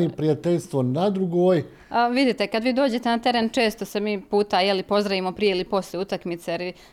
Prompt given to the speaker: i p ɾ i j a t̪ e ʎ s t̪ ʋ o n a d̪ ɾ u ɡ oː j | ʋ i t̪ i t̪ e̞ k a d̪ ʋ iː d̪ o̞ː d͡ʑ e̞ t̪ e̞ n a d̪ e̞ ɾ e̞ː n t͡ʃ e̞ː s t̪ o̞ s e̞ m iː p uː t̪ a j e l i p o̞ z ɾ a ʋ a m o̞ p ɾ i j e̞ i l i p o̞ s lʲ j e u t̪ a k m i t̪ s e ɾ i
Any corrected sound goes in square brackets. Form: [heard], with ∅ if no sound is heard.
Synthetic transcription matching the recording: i p ɾ i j a t̪ e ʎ s t̪ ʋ o n a d̪ ɾ u ɡ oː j | ʋ i [d̪] i t̪ e̞ k a d̪ ʋ iː d̪ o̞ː d͡ʑ e̞ t̪ e̞ n a [t̪] e̞ ɾ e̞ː n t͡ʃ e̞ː s t̪ o̞ s e̞ m iː p uː t̪ a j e l i p o̞ z ɾ a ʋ [i] m o̞ p ɾ i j e̞ i l i p o̞ s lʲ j e u t̪ a k m i t̪ s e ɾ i